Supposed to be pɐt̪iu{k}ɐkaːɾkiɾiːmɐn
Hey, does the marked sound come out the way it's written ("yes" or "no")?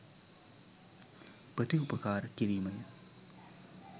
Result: no